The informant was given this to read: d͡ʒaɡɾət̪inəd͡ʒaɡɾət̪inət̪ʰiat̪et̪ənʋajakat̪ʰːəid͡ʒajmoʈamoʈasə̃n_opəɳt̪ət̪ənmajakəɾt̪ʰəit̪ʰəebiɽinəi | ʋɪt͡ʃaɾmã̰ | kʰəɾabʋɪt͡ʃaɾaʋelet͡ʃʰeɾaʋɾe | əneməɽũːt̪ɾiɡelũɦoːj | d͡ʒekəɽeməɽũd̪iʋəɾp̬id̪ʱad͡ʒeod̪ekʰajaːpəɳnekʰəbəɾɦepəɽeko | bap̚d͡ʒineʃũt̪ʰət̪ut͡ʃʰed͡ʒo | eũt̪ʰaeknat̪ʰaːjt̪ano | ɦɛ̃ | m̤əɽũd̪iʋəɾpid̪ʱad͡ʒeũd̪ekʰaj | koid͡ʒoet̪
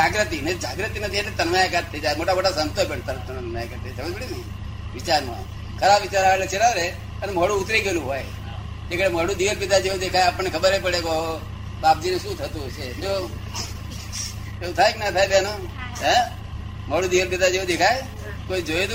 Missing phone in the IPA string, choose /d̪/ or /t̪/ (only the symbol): t̪